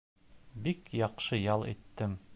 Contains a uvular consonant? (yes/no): yes